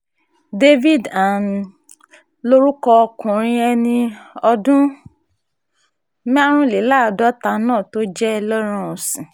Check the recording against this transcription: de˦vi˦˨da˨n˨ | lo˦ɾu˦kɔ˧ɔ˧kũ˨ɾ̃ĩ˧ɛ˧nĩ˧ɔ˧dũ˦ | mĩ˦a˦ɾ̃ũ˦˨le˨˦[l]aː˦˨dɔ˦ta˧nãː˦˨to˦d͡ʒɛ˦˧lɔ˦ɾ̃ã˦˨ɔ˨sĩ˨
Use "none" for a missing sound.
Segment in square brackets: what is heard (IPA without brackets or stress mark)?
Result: l